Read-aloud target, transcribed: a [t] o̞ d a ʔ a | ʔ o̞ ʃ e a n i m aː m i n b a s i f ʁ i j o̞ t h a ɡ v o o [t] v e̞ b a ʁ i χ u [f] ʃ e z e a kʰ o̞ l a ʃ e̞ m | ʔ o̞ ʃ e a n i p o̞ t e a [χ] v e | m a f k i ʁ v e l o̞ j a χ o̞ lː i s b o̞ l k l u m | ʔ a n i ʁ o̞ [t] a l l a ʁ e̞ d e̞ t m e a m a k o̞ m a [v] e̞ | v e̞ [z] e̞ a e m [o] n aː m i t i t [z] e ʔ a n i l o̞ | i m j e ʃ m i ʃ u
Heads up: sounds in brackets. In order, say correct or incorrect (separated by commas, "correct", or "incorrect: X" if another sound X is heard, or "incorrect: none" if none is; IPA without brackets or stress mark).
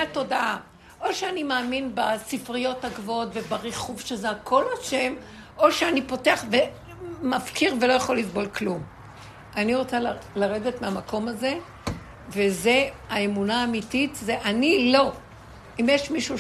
correct, correct, incorrect: v, correct, incorrect: t͡s, incorrect: z, correct, incorrect: u, correct